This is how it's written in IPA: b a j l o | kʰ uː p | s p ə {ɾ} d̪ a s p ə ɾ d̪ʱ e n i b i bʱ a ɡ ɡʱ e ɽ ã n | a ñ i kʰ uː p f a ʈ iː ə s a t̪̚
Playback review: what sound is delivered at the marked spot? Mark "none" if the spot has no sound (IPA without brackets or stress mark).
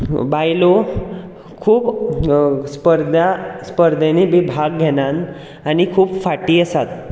ɾ